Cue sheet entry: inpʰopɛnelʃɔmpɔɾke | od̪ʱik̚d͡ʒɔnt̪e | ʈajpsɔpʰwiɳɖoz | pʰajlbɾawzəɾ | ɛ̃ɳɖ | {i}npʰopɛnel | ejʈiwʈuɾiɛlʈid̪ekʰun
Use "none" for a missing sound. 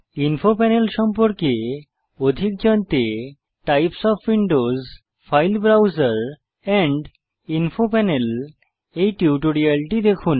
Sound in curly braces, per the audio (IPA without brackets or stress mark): i